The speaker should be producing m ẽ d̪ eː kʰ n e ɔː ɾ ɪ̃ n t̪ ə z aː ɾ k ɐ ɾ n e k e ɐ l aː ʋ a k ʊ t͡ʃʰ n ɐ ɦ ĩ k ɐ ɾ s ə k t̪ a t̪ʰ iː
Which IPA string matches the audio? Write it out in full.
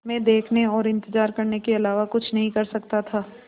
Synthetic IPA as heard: m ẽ d̪ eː kʰ n e ɔː ɾ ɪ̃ n t̪ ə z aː ɾ k ɐ ɾ n e k e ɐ l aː ʋ a k ʊ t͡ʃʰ n ɐ ɦ ĩ k ɐ ɾ s ɐ k t̪ a t̪ʰ aː